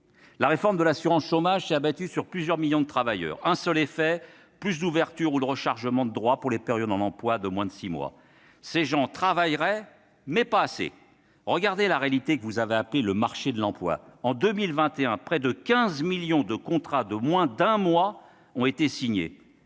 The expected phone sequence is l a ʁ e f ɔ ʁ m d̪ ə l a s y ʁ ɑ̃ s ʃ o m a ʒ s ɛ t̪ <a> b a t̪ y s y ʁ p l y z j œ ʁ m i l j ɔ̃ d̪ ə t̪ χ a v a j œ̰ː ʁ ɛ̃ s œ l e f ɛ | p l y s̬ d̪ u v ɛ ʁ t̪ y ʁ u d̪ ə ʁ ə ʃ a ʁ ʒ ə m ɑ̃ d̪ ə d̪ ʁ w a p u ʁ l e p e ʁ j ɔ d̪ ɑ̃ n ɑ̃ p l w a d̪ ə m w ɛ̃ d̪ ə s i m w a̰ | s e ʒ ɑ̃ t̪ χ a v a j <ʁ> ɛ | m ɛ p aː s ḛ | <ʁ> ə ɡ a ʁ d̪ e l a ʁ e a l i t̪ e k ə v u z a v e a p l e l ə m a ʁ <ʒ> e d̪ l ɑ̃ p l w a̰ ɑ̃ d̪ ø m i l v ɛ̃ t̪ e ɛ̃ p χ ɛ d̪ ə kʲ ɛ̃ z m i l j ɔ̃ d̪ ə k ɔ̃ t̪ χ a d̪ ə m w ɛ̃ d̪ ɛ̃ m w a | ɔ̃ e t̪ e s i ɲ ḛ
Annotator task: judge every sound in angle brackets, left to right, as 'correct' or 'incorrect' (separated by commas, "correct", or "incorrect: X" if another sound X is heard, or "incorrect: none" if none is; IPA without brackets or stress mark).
correct, correct, correct, incorrect: ʃ